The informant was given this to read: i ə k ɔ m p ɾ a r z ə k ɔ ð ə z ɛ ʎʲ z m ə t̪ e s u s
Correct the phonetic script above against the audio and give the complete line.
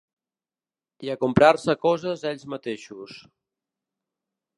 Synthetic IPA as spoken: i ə k u m p ɾ a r s ə k ɔ z ə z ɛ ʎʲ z m ə t̪ e ʃ u s